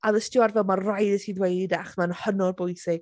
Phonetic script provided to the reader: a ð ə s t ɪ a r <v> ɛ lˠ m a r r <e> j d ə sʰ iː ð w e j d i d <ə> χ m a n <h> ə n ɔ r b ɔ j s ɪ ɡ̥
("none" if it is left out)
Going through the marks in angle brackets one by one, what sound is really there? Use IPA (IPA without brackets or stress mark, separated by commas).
v, a, a, h